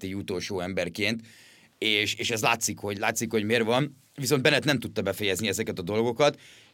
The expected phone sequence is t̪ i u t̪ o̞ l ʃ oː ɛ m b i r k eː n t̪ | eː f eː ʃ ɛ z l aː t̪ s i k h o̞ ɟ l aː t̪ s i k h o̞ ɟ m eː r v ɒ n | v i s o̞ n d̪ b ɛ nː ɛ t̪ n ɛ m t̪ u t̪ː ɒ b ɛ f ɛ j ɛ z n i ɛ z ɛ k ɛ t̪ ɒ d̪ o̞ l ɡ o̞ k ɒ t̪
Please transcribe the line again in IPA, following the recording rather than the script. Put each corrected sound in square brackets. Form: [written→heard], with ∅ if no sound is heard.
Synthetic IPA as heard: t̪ i u t̪ o̞ l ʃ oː ɛ m b [i→ɛ] r k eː n t̪ | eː [f→ʃ] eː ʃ ɛ z l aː t̪ s i k h o̞ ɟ l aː t̪ s i k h o̞ ɟ m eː r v ɒ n | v i s o̞ n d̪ b ɛ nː ɛ t̪ n ɛ m t̪ u t̪ː ɒ b ɛ f ɛ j ɛ z n i ɛ z ɛ k ɛ t̪ ɒ d̪ o̞ l ɡ o̞ k ɒ t̪